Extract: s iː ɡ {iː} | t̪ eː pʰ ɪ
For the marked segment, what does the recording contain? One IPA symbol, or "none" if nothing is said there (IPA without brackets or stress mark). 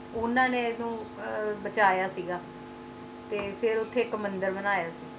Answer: aː